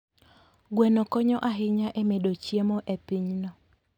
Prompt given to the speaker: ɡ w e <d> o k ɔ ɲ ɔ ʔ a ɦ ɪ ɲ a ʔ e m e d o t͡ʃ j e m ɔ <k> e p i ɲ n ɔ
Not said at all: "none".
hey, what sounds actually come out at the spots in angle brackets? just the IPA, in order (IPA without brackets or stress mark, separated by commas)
n, ʔ